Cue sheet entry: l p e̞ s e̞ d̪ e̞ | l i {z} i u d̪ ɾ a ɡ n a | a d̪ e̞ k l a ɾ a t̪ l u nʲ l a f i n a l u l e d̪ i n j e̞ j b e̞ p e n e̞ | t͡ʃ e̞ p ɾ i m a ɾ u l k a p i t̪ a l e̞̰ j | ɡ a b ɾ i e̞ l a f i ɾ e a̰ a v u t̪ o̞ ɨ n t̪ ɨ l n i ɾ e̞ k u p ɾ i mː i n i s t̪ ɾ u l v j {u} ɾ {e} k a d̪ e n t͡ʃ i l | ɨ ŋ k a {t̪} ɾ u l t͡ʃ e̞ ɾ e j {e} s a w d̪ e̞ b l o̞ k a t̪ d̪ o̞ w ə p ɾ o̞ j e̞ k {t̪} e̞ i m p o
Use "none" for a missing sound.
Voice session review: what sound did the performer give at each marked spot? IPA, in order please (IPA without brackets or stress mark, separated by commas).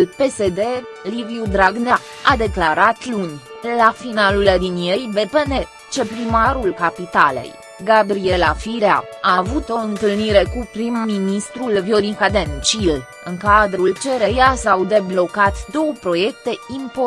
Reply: v, o, i, d̪, a, t̪